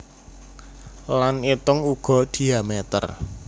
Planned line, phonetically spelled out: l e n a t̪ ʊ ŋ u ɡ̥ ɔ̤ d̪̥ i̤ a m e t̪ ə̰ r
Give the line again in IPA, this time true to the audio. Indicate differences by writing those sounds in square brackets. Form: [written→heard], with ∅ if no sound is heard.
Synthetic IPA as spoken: l [e→a] n [a→i] t̪ ʊ ŋ u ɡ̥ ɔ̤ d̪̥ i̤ a m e t̪ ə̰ r